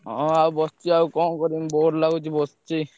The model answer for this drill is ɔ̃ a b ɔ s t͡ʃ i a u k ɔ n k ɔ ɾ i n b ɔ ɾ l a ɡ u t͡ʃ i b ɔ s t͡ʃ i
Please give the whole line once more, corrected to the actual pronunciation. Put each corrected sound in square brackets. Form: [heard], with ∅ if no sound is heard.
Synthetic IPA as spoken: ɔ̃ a b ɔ s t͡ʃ i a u k ɔ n k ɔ ɾ i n b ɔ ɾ l a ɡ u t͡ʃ i b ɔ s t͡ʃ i